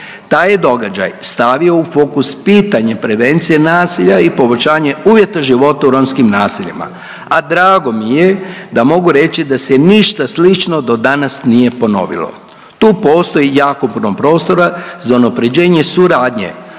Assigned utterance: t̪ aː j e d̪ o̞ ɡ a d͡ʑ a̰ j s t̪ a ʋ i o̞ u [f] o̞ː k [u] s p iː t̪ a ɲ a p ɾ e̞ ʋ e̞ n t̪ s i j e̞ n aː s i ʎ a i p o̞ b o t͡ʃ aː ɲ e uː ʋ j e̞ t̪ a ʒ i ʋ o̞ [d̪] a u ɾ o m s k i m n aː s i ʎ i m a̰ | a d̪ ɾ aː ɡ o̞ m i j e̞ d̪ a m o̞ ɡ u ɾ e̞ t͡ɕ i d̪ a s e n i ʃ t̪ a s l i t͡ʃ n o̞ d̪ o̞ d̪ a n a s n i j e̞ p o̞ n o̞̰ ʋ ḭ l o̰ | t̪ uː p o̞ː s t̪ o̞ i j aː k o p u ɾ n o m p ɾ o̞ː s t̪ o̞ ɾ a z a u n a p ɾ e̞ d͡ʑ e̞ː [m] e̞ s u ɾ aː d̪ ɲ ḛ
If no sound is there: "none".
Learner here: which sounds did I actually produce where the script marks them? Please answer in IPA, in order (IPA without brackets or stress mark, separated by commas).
f, u, t̪, ɲ